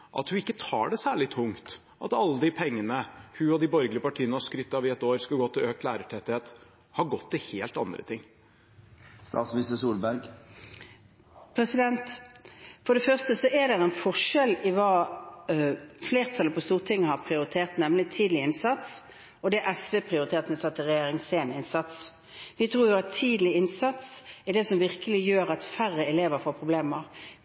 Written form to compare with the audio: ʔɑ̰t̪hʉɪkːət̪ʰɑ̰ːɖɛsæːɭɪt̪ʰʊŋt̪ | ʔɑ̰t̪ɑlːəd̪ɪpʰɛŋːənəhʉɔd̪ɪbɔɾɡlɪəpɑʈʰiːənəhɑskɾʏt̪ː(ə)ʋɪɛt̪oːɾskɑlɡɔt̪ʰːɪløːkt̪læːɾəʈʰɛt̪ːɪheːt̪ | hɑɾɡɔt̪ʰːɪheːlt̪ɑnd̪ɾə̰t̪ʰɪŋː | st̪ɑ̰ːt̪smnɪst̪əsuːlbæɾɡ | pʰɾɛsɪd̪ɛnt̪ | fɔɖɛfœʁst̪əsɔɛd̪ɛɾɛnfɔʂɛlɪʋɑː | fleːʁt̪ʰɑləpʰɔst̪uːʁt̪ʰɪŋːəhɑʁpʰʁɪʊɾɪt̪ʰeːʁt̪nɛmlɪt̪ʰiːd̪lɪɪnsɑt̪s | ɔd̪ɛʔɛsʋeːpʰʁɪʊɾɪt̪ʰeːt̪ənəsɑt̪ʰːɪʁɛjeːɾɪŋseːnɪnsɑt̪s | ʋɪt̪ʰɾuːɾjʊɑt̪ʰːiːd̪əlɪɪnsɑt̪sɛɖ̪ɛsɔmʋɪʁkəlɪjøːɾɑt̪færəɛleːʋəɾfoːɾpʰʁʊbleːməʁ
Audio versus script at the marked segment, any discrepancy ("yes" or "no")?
yes